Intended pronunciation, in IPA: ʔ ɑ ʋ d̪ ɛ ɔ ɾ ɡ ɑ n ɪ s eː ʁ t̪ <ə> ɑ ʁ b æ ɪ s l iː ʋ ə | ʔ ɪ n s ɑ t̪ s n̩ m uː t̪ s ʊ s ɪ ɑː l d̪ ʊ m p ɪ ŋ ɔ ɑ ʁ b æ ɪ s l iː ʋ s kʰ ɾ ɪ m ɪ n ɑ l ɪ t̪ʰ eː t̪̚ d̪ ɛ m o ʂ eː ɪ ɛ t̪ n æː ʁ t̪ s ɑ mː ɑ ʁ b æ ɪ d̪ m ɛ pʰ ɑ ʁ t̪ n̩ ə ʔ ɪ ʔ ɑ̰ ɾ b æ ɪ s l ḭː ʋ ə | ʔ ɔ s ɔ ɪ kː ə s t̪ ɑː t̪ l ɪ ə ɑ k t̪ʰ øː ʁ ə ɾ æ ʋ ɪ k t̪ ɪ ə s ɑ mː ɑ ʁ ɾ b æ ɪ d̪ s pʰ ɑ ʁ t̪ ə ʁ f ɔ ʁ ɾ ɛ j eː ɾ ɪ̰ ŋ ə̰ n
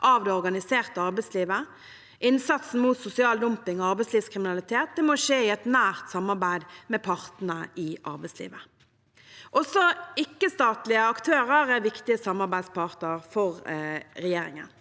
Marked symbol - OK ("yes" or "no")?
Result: yes